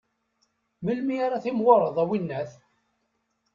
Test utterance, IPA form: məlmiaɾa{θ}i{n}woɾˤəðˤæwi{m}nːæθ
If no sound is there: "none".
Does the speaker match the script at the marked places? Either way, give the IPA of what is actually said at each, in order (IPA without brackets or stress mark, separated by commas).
θ, m, none